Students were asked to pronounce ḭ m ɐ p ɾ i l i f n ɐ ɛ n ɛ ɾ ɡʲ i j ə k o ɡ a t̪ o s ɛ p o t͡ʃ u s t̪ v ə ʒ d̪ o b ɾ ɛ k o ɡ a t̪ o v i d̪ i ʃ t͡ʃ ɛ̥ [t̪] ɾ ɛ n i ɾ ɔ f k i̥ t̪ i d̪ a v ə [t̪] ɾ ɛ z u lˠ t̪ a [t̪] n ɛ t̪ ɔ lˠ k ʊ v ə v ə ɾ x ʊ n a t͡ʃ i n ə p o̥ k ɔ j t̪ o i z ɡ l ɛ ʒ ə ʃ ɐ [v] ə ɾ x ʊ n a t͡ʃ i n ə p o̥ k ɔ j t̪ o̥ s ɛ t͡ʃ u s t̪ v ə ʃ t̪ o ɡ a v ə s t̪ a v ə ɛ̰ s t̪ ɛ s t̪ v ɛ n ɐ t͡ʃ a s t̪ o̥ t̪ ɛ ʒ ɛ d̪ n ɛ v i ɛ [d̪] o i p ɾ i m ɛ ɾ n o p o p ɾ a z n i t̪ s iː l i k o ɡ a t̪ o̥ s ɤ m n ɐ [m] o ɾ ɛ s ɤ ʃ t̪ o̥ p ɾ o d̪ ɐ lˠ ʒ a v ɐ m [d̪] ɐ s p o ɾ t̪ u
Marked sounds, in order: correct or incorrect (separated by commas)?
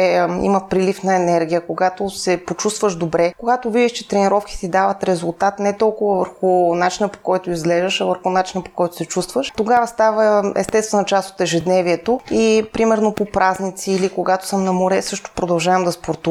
correct, correct, correct, correct, incorrect, correct, correct